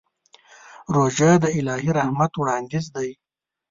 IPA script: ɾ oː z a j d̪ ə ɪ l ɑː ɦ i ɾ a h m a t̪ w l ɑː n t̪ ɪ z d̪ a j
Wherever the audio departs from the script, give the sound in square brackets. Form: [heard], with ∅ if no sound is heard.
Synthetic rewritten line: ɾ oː [ʒ] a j d̪ ə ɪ l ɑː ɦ i ɾ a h m a t̪ w [ɽ] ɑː n [d̪] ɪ z d̪ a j